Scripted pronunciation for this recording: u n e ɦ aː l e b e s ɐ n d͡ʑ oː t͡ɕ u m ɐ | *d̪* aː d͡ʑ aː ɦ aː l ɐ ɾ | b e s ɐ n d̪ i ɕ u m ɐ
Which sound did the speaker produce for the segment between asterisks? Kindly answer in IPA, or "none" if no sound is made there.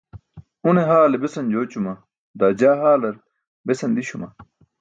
d̪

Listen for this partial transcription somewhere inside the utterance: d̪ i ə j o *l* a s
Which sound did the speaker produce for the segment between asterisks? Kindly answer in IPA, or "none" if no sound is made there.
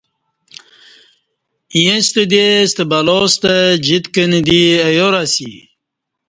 ɾ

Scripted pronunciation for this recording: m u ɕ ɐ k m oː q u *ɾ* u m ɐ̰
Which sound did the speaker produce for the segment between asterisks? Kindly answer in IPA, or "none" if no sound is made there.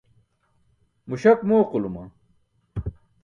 l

